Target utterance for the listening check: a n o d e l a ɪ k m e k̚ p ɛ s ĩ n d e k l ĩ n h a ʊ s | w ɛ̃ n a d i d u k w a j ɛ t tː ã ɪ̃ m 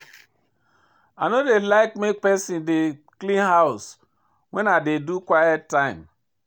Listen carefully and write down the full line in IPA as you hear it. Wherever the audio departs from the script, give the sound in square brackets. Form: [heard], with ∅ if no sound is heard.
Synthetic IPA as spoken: a n o d e l a ɪ k m e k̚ p ɛ s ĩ n d e k l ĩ n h a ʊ s | w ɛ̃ n a d [e] d u k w a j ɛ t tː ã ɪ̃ m